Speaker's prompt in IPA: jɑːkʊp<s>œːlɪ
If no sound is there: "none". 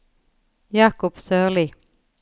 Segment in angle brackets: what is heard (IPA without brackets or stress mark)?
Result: s